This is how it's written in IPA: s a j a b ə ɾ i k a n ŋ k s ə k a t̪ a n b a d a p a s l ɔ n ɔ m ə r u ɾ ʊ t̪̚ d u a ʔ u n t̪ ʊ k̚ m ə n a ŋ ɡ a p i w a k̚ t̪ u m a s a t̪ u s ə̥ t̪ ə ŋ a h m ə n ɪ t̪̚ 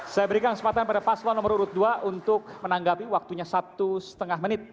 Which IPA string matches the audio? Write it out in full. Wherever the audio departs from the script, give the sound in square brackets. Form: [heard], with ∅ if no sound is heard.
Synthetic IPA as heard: s a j a b ə ɾ i k a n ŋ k s ə [p] a t̪ a n [p] a d a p a s l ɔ n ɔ m ə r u ɾ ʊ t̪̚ d u a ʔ u n t̪ ʊ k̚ m ə n a ŋ ɡ a p i w a k̚ t̪ u [ɲ] a s a t̪ u s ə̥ t̪ ə ŋ a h m ə n ɪ t̪̚